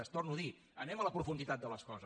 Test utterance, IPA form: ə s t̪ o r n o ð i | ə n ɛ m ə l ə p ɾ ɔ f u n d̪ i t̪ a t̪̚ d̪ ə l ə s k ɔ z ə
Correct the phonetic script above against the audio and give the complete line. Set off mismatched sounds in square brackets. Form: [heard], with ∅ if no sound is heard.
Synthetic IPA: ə s t̪ o r n [u] ð i | ə n ɛ m ə l ə p ɾ [u] f u n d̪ i t̪ a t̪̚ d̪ ə l ə s k ɔ z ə